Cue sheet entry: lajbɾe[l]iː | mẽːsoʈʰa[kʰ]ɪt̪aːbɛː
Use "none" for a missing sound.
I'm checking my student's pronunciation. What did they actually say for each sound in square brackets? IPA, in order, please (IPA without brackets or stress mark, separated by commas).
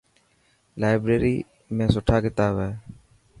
ɾ, k